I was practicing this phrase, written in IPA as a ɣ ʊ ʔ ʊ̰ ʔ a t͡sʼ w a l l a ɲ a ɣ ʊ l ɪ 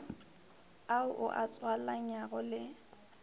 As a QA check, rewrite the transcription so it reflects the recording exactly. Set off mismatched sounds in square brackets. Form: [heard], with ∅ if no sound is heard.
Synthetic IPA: a [∅] ʊ ʔ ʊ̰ ʔ a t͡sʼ w a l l a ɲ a ɣ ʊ l ɪ